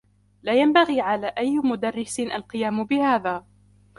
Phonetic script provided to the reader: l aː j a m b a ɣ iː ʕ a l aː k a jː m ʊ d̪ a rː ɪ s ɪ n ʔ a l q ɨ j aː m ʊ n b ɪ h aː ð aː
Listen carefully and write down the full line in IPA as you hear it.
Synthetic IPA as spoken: l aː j a m b a ɣ iː ʕ a l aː ʔ a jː m ʊ d̪ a rː ɪ s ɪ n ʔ a l q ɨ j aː m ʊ b ɪ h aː ð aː